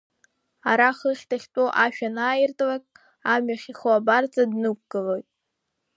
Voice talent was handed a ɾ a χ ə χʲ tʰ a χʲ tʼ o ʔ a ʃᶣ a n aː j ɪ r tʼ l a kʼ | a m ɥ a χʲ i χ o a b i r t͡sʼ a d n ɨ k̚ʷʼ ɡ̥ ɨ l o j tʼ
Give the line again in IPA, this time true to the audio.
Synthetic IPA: a ɾ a χ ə χʲ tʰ a χʲ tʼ o ʔ a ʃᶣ a n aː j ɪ r tʼ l a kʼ | a m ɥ a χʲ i χ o a b a r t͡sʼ a d n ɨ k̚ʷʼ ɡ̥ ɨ l o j tʼ

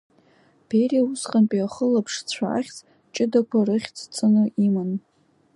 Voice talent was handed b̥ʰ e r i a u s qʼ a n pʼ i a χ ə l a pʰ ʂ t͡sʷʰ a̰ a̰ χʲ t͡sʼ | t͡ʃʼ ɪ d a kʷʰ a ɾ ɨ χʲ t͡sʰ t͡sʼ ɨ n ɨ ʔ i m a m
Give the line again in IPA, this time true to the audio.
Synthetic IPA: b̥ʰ e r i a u s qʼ a n pʼ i a χ ə l a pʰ ʂ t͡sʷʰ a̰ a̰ χʲ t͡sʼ | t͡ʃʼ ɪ d a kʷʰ a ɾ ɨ χʲ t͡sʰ t͡sʼ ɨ n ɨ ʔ i m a n

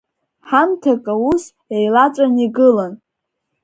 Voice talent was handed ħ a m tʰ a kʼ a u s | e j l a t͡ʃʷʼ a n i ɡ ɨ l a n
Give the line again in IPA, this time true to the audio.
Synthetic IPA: ħ a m tʰ a kʼ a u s | e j l a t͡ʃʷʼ a n i ɡ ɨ l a n

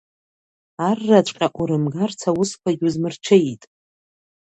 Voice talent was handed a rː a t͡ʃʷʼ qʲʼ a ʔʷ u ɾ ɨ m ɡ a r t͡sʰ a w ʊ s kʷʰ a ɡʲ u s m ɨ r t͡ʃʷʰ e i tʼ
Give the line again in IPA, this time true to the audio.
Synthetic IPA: a rː a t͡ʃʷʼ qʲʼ a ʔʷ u ɾ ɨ m ɡ a r t͡sʰ a w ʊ s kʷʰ a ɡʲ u z m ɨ r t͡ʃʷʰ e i tʼ

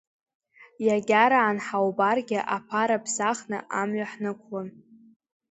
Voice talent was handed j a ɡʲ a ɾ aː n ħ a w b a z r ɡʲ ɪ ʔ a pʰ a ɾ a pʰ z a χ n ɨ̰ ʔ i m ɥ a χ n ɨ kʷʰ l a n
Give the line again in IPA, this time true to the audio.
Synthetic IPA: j a ɡʲ a ɾ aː n ħ a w b a r ɡʲ ɪ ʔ a pʰ a ɾ a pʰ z a χ n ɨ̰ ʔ a m ɥ a ħ n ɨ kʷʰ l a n

